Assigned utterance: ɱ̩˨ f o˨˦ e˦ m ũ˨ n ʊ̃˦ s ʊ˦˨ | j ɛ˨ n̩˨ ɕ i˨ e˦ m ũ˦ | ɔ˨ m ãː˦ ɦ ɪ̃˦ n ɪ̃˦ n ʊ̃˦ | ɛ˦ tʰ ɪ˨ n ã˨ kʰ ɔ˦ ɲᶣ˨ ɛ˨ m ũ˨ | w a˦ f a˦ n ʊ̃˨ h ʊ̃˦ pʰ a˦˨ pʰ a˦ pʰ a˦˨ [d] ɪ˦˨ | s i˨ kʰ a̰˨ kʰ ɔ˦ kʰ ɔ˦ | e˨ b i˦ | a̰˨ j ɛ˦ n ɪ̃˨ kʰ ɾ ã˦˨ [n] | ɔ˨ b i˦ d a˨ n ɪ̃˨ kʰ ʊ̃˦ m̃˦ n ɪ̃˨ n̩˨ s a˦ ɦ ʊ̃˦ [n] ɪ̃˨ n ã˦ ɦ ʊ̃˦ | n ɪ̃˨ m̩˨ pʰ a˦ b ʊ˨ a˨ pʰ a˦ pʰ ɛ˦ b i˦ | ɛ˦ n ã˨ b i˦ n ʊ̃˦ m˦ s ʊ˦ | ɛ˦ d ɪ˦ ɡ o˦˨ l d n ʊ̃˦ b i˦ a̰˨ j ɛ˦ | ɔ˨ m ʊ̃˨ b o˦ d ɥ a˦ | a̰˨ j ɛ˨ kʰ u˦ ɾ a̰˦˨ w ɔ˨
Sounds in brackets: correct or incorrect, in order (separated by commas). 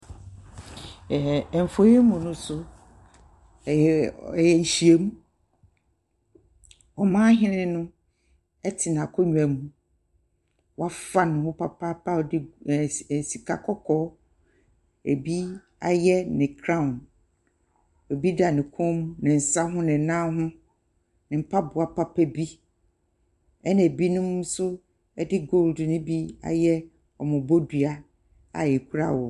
correct, correct, correct